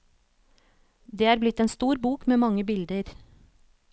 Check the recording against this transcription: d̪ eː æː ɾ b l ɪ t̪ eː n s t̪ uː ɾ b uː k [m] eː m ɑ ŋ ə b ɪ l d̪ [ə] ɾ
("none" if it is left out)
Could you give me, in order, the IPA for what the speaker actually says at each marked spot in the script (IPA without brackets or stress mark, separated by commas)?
m, ə